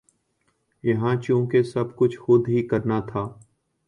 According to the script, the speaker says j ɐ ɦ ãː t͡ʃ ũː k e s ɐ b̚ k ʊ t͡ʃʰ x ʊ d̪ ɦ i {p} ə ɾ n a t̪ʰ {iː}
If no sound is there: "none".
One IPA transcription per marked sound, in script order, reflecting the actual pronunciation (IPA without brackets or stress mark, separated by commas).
k, aː